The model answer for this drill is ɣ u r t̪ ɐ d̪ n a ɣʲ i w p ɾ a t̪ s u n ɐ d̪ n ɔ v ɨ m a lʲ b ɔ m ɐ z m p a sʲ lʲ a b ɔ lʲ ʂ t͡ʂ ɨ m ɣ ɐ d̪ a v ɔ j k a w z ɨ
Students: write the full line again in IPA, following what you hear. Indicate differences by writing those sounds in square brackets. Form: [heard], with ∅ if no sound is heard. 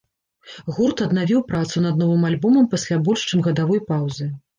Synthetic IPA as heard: ɣ u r t̪ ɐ d̪ n a [vʲ] i w p ɾ a t̪ s u n ɐ d̪ n ɔ v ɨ m a lʲ b ɔ m ɐ [∅] m p a sʲ lʲ a b ɔ lʲ ʂ t͡ʂ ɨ m ɣ ɐ d̪ a v ɔ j [p] a w z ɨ